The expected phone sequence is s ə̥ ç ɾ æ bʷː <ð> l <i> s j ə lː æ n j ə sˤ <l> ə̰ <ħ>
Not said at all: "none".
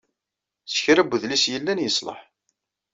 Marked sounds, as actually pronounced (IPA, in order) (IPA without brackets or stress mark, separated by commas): ð, i, l, ħ